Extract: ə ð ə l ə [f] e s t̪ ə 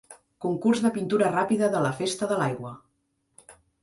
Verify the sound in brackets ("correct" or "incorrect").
correct